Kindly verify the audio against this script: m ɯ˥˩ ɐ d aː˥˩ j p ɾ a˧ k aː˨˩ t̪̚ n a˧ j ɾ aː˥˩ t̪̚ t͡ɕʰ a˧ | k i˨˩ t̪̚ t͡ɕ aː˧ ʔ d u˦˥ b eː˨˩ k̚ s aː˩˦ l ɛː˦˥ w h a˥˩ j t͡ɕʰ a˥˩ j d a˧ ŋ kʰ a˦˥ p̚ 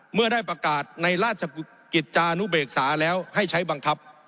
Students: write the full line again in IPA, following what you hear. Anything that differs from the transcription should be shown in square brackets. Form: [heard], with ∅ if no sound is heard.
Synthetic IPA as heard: m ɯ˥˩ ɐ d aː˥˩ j p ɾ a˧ k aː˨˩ t̪̚ n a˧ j ɾ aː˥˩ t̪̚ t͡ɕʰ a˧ | k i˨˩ t̪̚ t͡ɕ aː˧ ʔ [n] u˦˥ b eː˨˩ k̚ s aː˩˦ l ɛː˦˥ w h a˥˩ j t͡ɕʰ [a˦˥] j [b] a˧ ŋ kʰ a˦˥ p̚